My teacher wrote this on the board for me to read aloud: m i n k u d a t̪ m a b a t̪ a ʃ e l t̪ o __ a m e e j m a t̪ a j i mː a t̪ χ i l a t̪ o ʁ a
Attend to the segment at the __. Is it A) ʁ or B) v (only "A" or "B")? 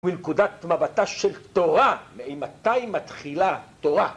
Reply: A